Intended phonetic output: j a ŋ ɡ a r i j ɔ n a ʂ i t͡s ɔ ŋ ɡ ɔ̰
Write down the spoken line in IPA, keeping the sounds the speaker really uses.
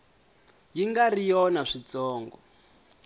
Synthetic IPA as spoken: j i ŋ ɡ a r i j ɔ n a ʂ i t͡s ɔː ŋ ɡ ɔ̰

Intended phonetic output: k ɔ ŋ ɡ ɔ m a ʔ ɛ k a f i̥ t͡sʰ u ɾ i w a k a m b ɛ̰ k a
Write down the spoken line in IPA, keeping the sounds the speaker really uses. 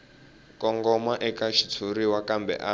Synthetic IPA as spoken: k ɔ ŋ ɡ ɔ m a ʔ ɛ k a ʃ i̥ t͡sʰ u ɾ i w a k a m b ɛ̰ ʔ a

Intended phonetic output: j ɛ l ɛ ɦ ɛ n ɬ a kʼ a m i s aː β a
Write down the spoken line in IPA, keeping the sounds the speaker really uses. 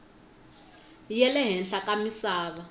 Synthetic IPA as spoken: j ɛ l ɛ ɦ ɛ n ɬ a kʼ a m i s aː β a

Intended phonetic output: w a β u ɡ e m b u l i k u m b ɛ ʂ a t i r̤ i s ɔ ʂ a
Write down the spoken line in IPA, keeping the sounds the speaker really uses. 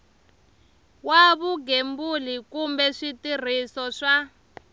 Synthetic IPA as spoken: w a β u ɡ e m b u l i k u m b ɛ ʂ i t i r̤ i s ɔ ʂ a

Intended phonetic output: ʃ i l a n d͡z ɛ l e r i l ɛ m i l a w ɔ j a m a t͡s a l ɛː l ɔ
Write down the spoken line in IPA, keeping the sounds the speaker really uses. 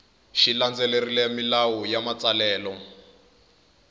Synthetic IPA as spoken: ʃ i l a n d͡z ɛ l e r i l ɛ m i l a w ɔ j a m a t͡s a l ɛː l ɔ

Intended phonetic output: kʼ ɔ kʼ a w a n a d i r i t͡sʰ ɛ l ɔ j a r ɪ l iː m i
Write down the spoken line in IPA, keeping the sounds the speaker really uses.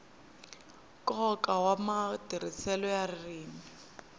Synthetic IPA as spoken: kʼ ɔ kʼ a w a m a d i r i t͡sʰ ɛ l ɔ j a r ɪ r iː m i

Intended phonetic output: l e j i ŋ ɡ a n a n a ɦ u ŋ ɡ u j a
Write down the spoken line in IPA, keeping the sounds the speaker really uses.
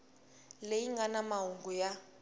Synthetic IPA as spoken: l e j i ŋ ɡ a n a m a ɦ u ŋ ɡ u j a

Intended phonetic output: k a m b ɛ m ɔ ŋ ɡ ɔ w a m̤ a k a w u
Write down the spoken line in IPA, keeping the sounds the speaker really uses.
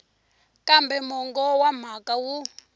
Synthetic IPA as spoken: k a m b ɛ m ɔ ŋ ɡ ɔ w a m̤ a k a w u

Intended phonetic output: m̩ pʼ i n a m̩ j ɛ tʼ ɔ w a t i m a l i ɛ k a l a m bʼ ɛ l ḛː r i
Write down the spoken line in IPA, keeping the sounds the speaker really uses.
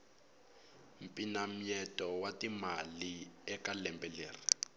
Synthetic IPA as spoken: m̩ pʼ i n a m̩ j ɛ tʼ ɔ w a t i m a l i ɛ k a l ɛ m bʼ ɛ l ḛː r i

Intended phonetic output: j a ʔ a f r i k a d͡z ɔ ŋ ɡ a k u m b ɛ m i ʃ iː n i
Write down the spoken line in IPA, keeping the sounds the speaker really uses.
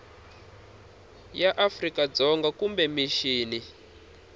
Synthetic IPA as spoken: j a ʔ a f r i k a d͡z ɔ ŋ ɡ a k u m b ɛ m i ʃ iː n i

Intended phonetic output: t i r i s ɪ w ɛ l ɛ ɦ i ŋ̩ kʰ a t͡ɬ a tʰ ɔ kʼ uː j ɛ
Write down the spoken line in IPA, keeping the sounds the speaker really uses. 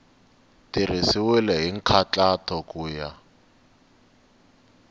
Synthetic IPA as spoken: t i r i s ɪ w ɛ l ɛ ɦ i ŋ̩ kʰ a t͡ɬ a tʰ ɔ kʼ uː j a

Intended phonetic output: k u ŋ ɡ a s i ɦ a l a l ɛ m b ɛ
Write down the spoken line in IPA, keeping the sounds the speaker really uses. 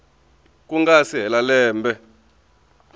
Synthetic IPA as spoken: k u ŋ ɡ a s i ɦ ɛ l a l ɛː m b ɛ

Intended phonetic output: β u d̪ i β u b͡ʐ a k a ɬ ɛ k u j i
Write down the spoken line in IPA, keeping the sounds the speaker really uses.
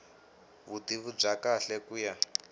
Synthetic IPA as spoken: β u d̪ i β u b͡ʐ a k a ɬ ɛ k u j a

